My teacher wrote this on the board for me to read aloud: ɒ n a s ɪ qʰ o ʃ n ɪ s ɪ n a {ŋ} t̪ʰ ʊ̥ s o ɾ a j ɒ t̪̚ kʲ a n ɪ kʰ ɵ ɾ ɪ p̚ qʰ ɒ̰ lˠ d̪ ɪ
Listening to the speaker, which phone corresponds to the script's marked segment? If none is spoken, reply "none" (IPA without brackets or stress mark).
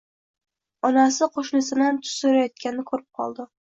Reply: n